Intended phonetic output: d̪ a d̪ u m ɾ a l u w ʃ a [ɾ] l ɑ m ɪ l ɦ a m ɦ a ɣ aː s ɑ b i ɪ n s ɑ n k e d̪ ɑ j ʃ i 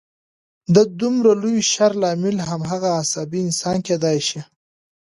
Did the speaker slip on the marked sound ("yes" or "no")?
no